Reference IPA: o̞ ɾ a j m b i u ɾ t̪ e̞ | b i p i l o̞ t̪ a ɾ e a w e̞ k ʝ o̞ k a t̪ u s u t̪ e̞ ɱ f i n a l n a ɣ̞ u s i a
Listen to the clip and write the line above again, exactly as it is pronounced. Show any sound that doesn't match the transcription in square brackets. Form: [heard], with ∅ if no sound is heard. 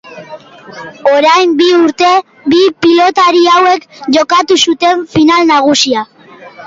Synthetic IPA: o̞ ɾ a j m b i u ɾ t̪ e̞ | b i p i l o̞ t̪ a ɾ [i] a w e̞ k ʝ o̞ k a t̪ u s u t̪ e̞ ɱ f i n a l n a ɣ̞ u s i a